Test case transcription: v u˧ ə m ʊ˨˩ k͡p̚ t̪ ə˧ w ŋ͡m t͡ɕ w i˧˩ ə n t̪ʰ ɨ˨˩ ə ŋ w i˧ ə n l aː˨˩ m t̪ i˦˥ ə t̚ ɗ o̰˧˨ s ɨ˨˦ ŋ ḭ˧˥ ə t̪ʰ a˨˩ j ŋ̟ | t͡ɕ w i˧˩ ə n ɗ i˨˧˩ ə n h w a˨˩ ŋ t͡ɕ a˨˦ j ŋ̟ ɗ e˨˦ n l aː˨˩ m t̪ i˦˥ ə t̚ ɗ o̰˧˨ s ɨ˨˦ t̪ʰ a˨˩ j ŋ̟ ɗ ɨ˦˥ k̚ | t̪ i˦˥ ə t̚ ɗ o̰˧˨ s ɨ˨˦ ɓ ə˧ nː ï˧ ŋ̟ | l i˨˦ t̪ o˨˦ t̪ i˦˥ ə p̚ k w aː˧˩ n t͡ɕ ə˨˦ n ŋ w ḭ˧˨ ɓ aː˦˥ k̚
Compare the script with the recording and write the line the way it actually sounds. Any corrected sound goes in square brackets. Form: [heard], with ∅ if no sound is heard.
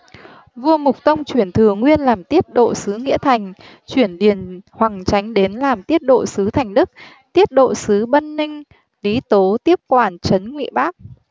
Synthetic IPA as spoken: v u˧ ə m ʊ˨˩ k͡p̚ t̪ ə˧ w ŋ͡m t͡ɕ w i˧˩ ə n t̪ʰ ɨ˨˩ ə ŋ w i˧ ə n l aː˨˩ m t̪ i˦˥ ə t̚ ɗ o̰˧˨ s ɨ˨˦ ŋ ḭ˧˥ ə t̪ʰ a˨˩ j ŋ̟ | t͡ɕ w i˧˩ ə n ɗ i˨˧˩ ə n h w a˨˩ ŋ t͡ɕ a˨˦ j ŋ̟ ɗ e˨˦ n l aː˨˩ m t̪ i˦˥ ə t̚ ɗ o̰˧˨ s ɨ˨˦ t̪ʰ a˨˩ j ŋ̟ ɗ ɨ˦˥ k̚ | t̪ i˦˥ ə t̚ ɗ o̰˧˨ s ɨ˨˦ ɓ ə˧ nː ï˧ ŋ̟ | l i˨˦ t̪ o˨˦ t̪ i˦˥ ə p̚ k w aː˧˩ n t͡ɕ ə˨˦ n ŋ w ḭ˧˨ ɓ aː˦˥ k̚

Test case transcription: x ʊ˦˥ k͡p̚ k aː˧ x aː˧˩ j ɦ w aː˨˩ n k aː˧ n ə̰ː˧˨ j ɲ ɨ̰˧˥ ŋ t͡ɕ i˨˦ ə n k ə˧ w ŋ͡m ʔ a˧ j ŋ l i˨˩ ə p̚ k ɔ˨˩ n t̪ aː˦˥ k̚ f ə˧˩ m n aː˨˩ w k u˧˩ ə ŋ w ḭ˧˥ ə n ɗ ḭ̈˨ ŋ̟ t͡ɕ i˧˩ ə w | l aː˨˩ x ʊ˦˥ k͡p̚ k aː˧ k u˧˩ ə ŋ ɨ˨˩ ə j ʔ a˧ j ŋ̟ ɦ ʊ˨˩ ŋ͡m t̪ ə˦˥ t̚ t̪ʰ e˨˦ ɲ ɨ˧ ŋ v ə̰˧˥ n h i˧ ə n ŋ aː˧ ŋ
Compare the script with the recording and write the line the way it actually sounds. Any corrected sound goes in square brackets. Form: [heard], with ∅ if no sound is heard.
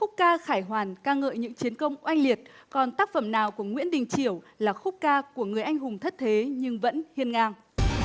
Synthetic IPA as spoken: x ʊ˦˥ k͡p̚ k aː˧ x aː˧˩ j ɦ w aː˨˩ n k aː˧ [ŋ] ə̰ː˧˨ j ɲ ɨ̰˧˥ ŋ t͡ɕ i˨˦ ə n k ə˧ w ŋ͡m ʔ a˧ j ŋ l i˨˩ ə [t̚] k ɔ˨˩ n t̪ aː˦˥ k̚ f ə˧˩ m n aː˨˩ w k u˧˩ ə ŋ w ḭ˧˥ ə n ɗ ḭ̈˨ ŋ̟ t͡ɕ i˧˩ ə w | l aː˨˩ x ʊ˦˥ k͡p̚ k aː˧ k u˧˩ ə ŋ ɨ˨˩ ə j ʔ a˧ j ŋ̟ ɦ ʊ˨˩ ŋ͡m [t̪ʰ] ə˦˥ t̚ t̪ʰ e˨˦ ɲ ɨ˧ ŋ v ə̰˧˥ n h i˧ ə n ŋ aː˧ ŋ

